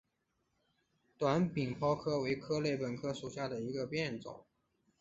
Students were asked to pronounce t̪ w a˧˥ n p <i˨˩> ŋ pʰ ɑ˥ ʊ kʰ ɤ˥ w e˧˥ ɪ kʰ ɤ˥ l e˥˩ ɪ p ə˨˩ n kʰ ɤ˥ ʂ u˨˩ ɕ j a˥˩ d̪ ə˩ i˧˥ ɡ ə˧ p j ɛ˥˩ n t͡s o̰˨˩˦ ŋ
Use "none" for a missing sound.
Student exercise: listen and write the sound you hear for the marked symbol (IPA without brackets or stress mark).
i˨˩